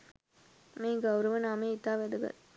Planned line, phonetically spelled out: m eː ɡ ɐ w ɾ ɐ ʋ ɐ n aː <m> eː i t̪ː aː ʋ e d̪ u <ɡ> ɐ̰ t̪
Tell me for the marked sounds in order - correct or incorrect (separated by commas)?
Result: correct, correct